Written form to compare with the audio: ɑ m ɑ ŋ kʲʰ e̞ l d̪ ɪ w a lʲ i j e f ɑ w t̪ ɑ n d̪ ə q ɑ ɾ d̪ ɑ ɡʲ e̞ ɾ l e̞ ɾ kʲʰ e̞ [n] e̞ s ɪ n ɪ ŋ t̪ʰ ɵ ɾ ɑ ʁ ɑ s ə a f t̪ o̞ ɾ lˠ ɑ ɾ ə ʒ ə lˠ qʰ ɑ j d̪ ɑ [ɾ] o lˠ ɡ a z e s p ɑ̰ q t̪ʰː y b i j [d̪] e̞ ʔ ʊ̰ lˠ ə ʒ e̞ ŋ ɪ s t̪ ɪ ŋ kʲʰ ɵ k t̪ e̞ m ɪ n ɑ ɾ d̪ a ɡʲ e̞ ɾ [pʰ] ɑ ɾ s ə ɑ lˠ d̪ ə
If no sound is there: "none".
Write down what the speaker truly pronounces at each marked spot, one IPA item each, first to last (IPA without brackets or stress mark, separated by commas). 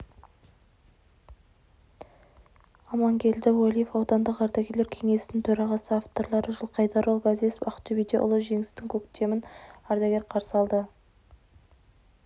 ŋ, ɾ, d̪, qʰ